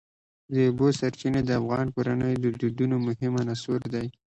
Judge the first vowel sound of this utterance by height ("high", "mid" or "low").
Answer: mid